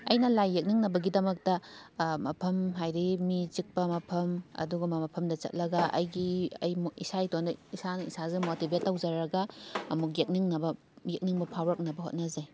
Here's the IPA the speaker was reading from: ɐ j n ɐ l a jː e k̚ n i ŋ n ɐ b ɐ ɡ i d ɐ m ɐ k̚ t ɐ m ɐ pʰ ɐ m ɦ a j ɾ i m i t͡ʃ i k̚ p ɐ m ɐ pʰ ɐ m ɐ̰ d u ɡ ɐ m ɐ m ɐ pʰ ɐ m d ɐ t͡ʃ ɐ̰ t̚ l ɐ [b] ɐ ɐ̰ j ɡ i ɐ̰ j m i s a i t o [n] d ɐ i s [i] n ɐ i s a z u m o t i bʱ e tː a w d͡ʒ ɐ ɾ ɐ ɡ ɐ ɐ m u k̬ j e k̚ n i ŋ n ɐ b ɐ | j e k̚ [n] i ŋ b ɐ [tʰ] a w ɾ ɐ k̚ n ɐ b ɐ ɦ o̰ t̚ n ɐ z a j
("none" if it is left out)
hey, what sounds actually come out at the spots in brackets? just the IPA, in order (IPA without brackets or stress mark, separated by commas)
ɡ, n, a, n, pʰ